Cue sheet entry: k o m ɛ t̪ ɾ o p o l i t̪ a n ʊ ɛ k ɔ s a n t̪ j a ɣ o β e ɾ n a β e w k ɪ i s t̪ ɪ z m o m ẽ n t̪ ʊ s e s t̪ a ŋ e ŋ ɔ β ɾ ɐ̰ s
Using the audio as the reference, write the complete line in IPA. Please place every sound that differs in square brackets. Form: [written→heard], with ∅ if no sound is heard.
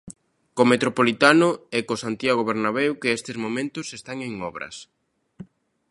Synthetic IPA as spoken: k o m [ɛ→e] t̪ ɾ o p o l i t̪ a n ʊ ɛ k [ɔ→o] s a n t̪ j a ɣ o β e ɾ n a β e w k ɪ [i→e] s t̪ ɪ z m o m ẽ n t̪ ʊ s e s t̪ a ŋ e ŋ ɔ β ɾ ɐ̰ s